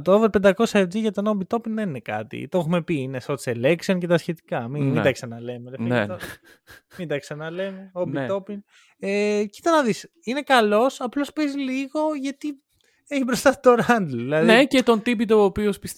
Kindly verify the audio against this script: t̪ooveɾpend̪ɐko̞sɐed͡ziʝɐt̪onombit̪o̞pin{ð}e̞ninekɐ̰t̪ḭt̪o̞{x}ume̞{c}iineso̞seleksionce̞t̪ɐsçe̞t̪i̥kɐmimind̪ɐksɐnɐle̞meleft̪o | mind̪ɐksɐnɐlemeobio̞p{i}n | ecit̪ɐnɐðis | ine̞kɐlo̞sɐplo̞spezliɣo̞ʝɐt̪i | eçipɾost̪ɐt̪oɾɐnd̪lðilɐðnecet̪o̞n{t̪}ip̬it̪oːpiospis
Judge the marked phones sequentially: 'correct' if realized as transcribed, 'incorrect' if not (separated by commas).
correct, correct, incorrect, correct, correct